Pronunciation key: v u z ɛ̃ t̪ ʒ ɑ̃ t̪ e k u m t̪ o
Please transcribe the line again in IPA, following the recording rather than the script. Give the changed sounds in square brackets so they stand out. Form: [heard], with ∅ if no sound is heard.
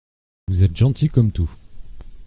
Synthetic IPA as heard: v u z [ɛ] t̪ ʒ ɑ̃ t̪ [i] k [ɔ] m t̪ [u]